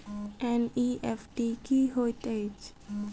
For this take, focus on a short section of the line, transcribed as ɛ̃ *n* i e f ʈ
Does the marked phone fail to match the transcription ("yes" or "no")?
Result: no